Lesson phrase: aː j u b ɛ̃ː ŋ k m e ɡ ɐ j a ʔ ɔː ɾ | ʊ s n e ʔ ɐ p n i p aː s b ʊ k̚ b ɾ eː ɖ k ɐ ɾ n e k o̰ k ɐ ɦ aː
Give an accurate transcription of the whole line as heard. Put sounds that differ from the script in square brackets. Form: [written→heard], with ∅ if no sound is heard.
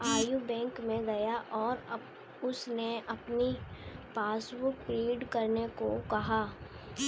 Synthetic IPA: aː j u b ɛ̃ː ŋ k m [e→ẽ] ɡ ɐ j a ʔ ɔː ɾ | ʊ s n e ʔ ɐ p n i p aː s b ʊ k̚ [b→p] ɾ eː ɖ k ɐ ɾ n e k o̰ k ɐ ɦ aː